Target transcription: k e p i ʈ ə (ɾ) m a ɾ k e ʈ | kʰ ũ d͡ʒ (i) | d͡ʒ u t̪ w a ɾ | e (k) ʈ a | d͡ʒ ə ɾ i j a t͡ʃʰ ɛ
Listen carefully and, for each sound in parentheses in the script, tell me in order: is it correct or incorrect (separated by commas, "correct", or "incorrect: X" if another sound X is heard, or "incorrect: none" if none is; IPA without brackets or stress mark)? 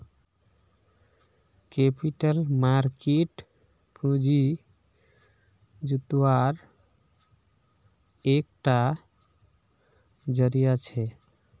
incorrect: l, correct, correct